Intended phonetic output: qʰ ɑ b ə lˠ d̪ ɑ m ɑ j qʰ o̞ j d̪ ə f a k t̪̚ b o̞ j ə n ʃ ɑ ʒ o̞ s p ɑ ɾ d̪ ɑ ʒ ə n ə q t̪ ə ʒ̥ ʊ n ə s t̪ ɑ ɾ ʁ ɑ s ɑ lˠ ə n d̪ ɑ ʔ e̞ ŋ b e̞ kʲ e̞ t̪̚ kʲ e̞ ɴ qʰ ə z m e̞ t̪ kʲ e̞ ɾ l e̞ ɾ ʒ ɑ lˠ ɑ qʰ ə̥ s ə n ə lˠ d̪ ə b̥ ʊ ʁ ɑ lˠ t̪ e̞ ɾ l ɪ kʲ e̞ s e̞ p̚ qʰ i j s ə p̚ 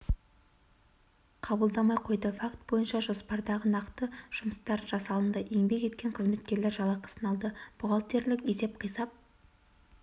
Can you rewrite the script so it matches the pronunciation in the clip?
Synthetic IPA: qʰ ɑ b ə lˠ d̪ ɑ m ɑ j qʰ o̞ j d̪ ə f a k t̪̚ b o̞ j ə n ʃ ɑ ʒ o̞ s p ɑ ɾ d̪ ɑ ʁ ə n ɑ q t̪ ə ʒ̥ ʊ m ə s t̪ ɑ ɾ ʒ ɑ s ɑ lˠ ə n d̪ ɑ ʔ e̞ ŋ b e̞ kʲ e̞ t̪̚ kʲ e̞ ɴ qʰ ə z m e̞ t̪ kʲ e̞ ɾ l e̞ ɾ ʒ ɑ lˠ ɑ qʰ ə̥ s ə n ɑ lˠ d̪ ə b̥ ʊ ʁ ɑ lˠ t̪ e̞ ɾ l ɪ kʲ e̞ s e̞ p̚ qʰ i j s ɑ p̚